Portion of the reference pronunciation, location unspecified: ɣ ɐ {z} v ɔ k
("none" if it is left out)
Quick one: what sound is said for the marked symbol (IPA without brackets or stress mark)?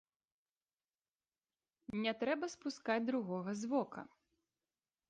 z